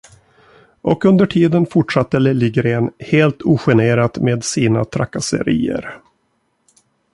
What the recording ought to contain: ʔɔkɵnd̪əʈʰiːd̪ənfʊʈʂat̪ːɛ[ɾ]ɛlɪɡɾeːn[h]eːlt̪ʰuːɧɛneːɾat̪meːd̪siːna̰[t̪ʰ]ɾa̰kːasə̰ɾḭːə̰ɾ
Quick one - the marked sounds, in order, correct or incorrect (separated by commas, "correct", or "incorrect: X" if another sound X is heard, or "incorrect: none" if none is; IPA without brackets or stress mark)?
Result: incorrect: l, correct, correct